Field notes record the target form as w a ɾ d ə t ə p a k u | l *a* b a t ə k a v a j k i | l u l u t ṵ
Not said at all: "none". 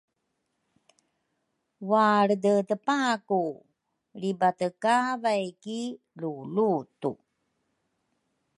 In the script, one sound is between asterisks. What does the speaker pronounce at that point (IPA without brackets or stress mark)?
i